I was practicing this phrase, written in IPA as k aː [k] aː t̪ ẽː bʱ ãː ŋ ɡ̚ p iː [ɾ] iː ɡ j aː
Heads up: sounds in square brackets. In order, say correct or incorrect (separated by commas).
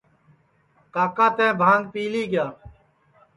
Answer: correct, incorrect